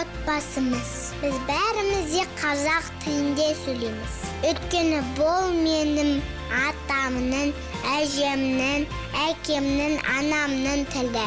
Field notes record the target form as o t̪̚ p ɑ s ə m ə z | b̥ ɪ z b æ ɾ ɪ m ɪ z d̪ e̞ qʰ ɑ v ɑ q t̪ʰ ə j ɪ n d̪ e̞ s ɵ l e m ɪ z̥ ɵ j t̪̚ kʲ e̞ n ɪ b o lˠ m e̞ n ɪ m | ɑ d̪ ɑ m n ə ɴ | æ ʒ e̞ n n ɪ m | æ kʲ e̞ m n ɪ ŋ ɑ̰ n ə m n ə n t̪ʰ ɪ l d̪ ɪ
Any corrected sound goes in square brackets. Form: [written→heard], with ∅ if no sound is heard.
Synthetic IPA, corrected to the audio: o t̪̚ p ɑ s ə m ə z | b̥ ɪ z b æ ɾ ɪ m ɪ z d̪ e̞ qʰ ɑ [v→z] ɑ q t̪ʰ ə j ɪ n d̪ e̞ s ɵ l e m ɪ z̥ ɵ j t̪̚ kʲ e̞ n ɪ b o lˠ m e̞ n ɪ m | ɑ [d̪→t̪] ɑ m n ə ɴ | æ ʒ e̞ [n→m] n ɪ [m→ŋ] | æ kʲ e̞ m n ɪ ŋ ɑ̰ n [ə→ɑ] m n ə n t̪ʰ ɪ l d̪ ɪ